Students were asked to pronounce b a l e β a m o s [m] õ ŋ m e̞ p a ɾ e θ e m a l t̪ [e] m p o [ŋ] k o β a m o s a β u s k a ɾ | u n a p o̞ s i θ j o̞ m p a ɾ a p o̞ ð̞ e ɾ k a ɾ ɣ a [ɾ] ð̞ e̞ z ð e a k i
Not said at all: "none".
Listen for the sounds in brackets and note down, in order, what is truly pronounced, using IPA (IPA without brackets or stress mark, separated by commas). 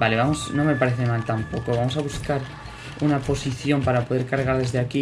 n, a, none, ɾ